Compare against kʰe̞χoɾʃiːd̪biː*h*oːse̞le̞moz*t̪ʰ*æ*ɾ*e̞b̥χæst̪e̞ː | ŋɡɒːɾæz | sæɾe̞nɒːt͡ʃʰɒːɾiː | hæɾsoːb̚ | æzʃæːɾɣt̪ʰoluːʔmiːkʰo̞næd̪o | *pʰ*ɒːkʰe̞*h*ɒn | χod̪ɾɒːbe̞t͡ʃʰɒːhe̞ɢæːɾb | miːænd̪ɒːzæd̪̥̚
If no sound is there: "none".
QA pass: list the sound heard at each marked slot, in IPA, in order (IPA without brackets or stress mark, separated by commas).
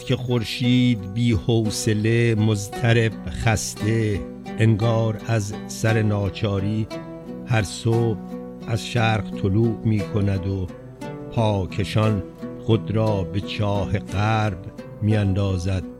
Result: h, t̪ʰ, ɾ, pʰ, ʃ